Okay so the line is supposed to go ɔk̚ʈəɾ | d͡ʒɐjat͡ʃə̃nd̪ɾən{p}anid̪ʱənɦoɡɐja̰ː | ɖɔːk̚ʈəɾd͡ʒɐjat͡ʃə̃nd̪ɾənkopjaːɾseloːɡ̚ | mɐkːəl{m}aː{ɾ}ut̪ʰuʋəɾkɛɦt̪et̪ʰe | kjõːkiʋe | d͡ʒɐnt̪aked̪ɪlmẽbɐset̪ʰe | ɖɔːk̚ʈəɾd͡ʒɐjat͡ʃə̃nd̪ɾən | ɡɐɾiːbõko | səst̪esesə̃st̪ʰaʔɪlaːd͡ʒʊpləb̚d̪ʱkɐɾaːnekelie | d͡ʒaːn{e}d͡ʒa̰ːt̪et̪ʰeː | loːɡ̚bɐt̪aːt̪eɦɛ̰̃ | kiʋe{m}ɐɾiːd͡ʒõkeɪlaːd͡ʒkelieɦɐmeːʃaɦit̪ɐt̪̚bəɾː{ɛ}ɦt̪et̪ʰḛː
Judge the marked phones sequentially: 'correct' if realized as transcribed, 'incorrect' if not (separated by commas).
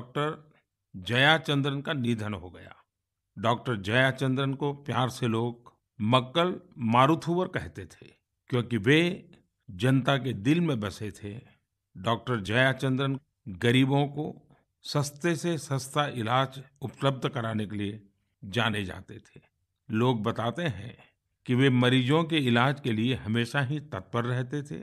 incorrect, correct, correct, correct, correct, correct